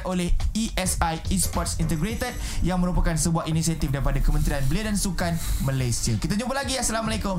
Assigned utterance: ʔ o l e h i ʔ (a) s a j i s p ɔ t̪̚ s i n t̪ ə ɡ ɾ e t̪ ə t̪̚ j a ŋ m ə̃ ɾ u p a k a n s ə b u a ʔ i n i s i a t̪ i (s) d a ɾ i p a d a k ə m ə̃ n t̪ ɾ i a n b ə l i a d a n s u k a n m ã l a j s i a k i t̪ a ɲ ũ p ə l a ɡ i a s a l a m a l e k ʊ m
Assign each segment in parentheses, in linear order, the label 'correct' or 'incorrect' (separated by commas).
incorrect, incorrect